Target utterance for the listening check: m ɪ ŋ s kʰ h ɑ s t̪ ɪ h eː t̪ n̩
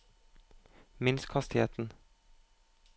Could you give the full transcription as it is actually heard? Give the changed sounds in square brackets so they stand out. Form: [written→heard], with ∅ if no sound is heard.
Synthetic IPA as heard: m ɪ [ŋ→n] s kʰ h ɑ s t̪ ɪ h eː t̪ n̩